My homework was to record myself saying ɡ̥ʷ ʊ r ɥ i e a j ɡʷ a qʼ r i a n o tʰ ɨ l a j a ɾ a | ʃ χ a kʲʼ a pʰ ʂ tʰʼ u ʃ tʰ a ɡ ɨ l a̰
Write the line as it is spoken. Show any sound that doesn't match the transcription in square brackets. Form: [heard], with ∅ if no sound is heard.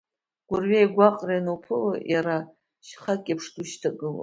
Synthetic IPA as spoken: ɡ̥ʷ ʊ r ɥ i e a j ɡʷ a qʼ r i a n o [pʰ] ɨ l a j a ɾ a | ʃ χ a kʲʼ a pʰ ʂ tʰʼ u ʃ tʰ a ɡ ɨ l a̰